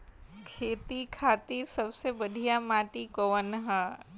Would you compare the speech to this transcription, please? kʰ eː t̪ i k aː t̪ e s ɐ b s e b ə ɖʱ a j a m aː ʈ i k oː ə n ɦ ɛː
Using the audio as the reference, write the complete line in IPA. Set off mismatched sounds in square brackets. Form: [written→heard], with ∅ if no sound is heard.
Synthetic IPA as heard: kʰ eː t̪ i [k→kʰ] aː t̪ [e→i] s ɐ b s e b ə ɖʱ [a→i] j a m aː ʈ i k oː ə n ɦ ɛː